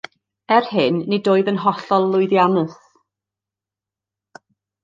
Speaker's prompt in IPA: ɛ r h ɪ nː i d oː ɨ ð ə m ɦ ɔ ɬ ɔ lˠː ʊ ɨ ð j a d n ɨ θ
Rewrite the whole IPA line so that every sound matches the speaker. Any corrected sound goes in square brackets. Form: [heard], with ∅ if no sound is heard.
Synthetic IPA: ɛ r h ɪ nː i d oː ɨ ð ə [n] ɦ ɔ ɬ ɔ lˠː ʊ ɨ ð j a [∅] n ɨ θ